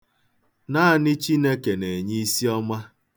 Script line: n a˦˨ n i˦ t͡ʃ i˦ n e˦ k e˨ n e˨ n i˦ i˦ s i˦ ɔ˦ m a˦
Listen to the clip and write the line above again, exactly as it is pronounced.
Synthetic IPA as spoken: n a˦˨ n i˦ t͡ʃ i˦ n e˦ k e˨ n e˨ ɲ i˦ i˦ s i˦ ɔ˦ m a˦